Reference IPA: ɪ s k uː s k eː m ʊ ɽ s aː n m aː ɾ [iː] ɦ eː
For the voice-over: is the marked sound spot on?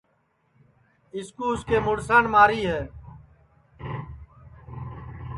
yes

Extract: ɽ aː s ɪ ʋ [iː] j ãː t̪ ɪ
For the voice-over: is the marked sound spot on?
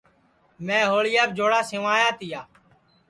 no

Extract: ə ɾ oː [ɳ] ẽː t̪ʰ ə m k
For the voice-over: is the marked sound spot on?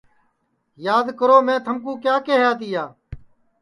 no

